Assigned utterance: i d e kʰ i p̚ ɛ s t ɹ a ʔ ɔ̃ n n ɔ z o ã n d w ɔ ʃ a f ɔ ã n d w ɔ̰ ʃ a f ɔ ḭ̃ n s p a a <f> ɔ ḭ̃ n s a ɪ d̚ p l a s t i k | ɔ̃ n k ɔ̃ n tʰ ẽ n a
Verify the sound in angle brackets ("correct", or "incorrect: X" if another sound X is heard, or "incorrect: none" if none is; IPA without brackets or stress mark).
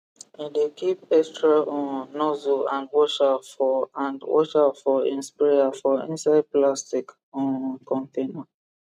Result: correct